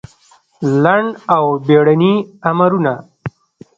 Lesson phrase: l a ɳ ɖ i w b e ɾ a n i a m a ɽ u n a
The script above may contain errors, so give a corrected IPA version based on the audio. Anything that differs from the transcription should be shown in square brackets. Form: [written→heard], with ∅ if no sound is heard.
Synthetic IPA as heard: l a ɳ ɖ [i→a] w b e [ɾ→ɽ] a n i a m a [ɽ→ɾ] u n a